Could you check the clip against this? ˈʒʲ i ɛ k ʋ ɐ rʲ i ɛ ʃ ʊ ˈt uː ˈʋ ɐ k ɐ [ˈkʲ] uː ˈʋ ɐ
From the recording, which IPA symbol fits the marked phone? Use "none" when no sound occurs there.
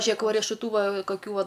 kʲ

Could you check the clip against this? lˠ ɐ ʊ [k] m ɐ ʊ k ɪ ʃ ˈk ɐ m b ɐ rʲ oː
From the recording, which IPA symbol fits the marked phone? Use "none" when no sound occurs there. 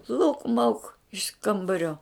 k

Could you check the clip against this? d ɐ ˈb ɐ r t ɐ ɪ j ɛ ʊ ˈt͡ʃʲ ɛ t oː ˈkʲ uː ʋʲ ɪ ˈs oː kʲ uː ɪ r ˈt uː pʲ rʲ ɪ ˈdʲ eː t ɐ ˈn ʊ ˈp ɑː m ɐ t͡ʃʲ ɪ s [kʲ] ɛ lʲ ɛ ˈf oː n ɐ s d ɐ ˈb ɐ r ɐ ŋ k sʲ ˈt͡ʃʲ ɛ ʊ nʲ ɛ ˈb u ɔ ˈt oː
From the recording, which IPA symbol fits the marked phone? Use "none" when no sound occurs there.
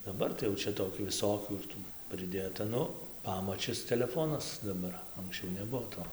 tʲ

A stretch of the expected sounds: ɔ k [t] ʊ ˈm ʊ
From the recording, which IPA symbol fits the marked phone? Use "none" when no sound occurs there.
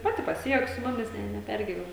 s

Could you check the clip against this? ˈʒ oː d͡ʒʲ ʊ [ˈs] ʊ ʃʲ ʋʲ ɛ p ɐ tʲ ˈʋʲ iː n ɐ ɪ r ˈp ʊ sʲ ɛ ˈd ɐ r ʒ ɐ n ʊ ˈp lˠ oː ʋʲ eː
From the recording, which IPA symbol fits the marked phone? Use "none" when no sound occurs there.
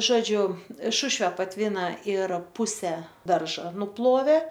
ʃ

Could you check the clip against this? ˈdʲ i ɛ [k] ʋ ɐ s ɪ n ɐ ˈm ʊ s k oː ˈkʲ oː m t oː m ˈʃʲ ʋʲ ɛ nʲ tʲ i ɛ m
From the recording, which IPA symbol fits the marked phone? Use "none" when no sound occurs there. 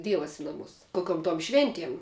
none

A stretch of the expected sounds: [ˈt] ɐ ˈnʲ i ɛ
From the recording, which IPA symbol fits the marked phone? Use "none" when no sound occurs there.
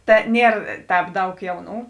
t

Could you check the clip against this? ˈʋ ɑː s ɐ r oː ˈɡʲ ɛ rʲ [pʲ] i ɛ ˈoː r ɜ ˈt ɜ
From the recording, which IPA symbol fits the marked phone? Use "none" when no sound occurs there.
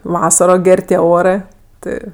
tʲ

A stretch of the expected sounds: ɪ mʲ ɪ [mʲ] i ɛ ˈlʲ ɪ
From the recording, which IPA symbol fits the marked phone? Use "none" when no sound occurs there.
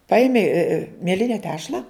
mʲ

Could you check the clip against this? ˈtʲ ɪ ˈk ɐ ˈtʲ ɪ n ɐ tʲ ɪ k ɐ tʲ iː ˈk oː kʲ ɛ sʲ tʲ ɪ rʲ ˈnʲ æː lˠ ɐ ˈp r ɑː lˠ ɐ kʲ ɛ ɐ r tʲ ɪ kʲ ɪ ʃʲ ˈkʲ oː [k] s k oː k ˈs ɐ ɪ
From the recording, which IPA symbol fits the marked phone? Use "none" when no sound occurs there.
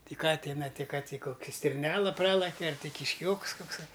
k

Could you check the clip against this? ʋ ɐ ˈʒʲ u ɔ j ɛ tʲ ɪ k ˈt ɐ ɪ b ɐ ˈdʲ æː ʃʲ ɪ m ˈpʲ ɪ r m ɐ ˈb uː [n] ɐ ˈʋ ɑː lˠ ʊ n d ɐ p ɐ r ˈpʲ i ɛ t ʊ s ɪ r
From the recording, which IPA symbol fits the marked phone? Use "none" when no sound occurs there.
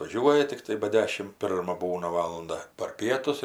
n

